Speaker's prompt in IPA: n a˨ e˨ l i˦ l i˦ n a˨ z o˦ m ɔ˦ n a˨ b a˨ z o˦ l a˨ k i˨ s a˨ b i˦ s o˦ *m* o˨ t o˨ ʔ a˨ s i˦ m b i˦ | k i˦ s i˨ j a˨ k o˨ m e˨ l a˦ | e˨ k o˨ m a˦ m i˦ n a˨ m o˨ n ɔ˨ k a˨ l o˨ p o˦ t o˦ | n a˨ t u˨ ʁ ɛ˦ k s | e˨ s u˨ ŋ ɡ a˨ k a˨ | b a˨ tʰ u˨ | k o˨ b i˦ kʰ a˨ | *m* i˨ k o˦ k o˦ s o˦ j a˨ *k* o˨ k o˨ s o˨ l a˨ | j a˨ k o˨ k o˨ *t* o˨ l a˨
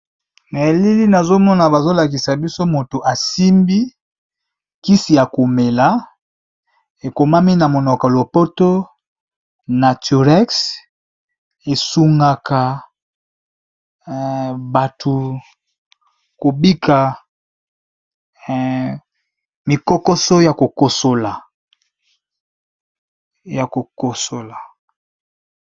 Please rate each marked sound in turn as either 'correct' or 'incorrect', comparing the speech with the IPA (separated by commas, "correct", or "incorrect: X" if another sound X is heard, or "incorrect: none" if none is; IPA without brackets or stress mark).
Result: correct, correct, correct, incorrect: s